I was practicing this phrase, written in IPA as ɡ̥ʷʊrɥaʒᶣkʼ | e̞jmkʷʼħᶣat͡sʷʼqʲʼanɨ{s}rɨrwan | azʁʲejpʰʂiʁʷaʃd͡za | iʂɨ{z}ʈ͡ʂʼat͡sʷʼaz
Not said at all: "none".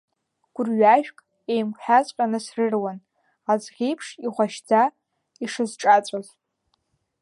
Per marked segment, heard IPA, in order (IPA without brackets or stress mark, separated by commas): s, z